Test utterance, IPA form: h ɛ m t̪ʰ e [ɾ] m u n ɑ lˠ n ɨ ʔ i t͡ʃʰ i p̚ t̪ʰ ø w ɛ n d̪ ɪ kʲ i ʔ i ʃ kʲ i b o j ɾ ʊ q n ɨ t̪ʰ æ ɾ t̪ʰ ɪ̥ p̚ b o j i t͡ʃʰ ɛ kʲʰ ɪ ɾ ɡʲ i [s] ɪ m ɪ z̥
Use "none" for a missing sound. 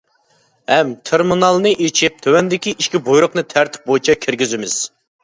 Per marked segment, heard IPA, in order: ɾ, z

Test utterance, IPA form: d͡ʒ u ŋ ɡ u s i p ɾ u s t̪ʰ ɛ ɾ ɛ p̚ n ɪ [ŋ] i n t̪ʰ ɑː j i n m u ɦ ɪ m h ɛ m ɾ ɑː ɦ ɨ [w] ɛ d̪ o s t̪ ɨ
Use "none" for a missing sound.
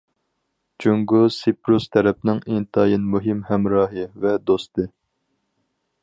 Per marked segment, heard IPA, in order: ŋ, v

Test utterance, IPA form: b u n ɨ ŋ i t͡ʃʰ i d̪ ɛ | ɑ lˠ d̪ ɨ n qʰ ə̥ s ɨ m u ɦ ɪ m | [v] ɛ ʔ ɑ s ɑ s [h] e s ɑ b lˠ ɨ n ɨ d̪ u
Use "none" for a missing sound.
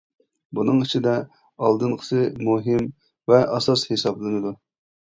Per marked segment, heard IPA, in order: v, h

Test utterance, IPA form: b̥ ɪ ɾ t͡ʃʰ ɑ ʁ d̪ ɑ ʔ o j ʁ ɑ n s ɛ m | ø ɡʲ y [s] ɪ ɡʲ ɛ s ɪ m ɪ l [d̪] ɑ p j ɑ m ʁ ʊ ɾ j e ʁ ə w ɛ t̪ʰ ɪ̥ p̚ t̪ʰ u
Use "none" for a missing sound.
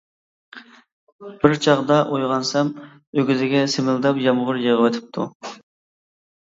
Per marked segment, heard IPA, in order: z, d̪

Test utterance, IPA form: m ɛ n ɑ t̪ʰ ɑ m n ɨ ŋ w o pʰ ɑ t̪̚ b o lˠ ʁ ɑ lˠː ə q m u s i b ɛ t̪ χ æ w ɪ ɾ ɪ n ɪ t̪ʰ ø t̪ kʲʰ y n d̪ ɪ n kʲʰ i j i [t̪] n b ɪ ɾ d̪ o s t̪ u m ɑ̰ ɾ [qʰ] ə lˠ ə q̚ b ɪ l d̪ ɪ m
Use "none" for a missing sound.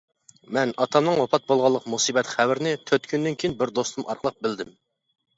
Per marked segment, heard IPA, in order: none, q

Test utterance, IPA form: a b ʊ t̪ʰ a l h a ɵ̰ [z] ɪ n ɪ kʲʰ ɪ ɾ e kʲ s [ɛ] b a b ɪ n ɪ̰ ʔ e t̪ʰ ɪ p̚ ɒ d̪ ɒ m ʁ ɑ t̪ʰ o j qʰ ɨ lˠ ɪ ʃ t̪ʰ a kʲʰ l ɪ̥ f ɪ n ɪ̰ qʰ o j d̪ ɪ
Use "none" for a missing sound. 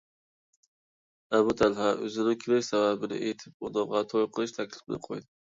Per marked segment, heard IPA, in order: z, a

